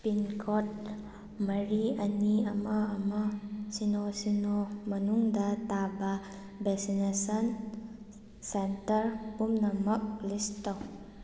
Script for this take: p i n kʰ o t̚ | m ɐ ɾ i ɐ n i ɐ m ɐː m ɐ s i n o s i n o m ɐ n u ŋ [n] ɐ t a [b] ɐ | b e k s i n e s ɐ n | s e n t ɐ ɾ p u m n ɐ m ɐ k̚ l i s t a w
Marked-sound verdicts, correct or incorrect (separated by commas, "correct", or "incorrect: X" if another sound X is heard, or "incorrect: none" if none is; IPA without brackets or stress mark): incorrect: d, correct